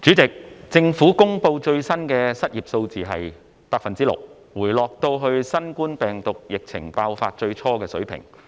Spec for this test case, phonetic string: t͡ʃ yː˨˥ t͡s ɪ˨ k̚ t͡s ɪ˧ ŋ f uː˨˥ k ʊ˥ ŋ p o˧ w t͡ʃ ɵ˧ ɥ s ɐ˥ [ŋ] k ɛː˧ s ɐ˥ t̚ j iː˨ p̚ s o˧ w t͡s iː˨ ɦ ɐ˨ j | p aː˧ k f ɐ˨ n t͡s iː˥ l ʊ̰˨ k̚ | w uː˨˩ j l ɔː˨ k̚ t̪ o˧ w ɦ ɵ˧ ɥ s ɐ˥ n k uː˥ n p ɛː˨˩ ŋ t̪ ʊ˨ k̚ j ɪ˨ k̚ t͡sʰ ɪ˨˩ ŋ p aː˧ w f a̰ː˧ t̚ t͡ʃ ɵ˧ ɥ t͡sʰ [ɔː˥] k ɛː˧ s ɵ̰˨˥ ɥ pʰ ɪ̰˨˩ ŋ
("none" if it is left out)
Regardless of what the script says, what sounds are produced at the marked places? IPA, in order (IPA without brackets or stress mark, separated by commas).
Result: n, ɔː˥